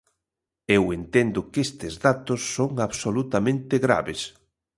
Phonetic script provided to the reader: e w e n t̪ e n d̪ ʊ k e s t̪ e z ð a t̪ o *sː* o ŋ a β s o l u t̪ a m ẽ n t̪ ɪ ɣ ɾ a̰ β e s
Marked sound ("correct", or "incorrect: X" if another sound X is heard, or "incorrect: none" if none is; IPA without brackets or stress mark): correct